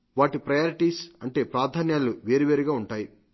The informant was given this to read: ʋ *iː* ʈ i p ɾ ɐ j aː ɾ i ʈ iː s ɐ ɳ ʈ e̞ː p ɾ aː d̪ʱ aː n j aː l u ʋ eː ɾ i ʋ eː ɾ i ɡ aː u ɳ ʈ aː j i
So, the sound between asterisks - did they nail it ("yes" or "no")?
no